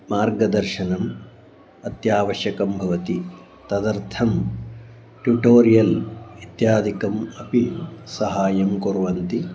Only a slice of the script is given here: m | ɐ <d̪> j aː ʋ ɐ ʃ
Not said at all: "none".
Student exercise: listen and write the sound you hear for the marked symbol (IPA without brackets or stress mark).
t̪